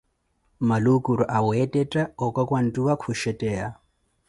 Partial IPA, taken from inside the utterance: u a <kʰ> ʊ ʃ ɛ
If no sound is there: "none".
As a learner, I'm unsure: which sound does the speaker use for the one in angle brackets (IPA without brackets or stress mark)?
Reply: kʰ